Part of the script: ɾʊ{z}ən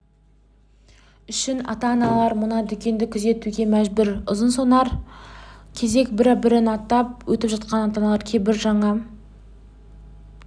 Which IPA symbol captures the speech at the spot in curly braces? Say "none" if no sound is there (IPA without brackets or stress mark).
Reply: z